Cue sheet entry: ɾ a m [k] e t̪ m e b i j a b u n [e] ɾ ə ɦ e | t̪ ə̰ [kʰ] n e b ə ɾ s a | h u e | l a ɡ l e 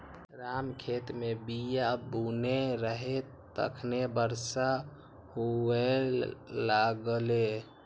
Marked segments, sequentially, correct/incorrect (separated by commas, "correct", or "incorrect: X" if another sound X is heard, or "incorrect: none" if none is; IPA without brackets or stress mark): incorrect: kʰ, correct, correct